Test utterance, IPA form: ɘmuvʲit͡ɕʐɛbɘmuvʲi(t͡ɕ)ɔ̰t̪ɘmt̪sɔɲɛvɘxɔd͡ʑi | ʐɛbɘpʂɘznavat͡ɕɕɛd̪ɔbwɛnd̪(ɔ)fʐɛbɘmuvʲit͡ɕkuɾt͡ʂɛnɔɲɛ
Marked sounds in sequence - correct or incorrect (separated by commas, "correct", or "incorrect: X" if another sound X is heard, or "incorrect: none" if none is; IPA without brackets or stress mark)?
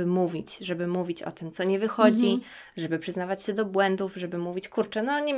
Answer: correct, incorrect: u